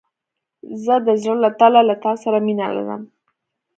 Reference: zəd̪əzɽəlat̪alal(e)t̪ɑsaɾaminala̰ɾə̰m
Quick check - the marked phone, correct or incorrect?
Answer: incorrect